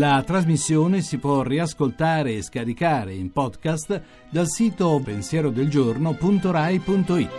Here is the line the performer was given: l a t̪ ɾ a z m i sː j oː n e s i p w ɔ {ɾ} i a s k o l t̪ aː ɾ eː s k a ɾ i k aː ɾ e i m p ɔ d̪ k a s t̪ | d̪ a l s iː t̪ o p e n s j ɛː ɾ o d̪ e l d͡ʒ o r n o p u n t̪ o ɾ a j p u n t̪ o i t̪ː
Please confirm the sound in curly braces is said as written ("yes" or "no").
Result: no